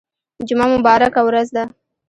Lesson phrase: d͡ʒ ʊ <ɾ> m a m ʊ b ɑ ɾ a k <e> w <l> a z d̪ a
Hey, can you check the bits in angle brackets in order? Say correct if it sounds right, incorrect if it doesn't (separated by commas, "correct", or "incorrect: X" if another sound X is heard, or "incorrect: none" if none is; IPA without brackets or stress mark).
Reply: incorrect: none, incorrect: a, incorrect: ɾ